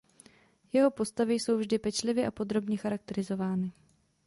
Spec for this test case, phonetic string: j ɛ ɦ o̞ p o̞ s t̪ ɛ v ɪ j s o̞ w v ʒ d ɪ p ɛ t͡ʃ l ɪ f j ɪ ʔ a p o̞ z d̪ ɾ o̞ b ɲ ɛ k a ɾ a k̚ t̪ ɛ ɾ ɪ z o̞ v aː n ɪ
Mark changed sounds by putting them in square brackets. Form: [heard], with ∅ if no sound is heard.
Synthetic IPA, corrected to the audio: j ɛ ɦ o̞ p o̞ s t̪ [a] v ɪ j s o̞ w v ʒ d ɪ p ɛ t͡ʃ l ɪ [v] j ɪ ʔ a p o̞ [∅] d̪ ɾ o̞ b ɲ ɛ [x] a ɾ a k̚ t̪ ɛ ɾ ɪ z o̞ v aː n ɪ